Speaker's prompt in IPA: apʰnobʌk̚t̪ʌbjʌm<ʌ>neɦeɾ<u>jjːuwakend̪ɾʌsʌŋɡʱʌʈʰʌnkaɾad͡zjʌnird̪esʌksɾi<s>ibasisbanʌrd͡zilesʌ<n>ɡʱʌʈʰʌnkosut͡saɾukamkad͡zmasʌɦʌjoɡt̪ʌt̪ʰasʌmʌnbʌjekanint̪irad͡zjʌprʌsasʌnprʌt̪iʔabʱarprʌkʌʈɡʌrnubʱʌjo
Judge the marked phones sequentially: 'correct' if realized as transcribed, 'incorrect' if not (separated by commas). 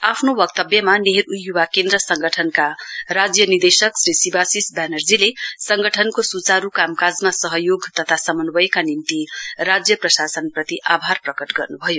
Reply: incorrect, correct, correct, incorrect